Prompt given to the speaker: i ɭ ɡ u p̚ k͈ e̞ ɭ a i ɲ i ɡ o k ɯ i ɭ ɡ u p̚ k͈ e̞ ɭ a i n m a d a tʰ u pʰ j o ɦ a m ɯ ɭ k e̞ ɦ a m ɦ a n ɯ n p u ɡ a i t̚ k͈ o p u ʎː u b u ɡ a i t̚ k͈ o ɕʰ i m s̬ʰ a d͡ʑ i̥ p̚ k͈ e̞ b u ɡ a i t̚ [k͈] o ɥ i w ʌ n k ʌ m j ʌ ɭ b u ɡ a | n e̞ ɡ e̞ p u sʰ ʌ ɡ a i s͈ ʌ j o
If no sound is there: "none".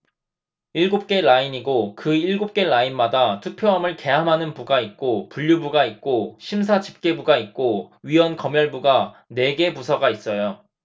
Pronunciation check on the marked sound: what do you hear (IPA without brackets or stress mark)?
k͈